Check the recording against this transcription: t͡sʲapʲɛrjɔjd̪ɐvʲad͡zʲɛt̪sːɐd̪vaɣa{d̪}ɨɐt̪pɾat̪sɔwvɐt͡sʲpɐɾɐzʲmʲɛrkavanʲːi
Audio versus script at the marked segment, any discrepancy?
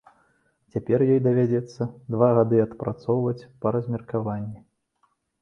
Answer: no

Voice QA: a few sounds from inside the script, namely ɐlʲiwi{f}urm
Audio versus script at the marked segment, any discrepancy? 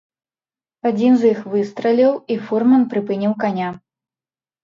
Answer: no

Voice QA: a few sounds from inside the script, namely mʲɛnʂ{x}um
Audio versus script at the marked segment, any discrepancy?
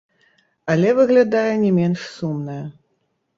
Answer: yes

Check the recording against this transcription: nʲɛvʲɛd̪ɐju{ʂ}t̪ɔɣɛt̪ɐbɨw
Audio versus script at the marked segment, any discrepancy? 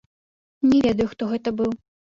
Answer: yes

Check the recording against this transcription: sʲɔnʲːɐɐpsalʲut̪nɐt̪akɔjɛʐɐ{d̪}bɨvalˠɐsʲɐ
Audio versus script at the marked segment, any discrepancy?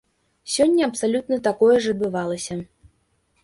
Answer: no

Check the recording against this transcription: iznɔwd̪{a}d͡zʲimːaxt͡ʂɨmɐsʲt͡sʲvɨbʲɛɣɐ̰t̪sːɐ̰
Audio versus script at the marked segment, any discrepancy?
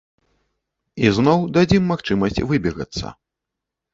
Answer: no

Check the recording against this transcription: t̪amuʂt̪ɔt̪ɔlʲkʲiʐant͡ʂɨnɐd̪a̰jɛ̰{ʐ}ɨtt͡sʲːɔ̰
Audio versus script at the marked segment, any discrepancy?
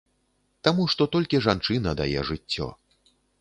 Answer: no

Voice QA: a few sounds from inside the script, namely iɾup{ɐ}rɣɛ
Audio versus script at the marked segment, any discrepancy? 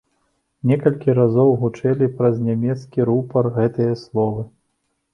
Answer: no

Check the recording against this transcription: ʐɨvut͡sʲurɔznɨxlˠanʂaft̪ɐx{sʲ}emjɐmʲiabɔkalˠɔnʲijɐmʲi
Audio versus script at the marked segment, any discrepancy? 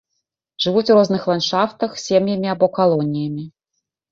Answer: no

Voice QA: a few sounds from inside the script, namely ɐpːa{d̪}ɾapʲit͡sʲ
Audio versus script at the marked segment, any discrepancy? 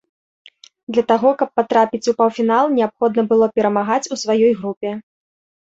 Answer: yes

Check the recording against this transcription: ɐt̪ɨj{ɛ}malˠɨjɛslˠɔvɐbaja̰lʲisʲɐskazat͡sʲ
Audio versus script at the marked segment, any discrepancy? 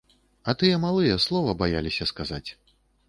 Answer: no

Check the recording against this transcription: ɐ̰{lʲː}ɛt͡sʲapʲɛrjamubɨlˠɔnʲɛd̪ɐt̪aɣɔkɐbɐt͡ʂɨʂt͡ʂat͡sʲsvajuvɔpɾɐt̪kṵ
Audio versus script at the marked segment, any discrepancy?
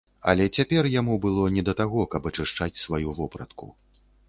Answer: yes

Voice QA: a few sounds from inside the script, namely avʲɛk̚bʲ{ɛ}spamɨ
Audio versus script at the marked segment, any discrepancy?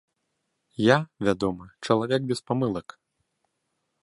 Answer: no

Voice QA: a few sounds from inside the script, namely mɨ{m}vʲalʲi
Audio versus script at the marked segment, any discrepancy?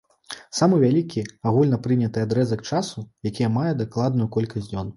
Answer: yes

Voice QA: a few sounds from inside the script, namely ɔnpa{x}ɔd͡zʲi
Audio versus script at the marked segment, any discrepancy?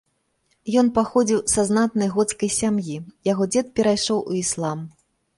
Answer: no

